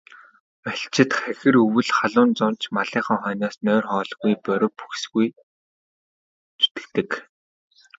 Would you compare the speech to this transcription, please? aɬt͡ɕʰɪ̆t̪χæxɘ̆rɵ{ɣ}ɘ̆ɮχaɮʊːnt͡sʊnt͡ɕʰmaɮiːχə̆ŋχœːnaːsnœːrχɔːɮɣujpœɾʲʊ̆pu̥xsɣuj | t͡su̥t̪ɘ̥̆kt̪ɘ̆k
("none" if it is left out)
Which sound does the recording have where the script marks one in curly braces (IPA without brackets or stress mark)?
w